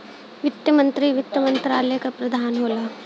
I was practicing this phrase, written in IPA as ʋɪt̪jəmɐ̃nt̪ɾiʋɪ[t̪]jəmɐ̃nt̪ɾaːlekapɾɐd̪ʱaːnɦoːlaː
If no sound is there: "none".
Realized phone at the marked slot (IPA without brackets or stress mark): t̪